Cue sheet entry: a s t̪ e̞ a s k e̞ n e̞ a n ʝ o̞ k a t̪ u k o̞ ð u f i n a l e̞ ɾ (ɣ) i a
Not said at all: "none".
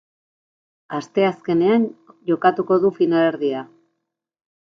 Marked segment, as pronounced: ð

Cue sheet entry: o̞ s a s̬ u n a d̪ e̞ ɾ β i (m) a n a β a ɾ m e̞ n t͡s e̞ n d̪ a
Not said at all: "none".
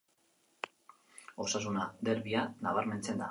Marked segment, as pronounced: none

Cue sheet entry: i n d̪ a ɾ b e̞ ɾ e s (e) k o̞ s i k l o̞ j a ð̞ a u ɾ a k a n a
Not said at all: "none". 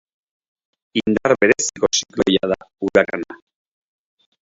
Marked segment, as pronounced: i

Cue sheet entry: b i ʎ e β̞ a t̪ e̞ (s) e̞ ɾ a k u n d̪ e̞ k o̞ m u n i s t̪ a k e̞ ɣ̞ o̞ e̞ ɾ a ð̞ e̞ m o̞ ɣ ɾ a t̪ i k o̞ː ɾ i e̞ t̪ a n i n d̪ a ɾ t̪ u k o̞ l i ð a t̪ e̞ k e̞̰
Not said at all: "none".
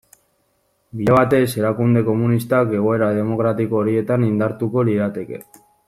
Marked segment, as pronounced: s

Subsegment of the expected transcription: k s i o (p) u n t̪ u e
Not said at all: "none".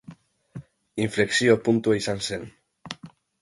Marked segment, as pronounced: p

